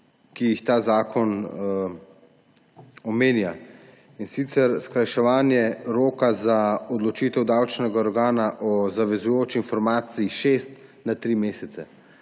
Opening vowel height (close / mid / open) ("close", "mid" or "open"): close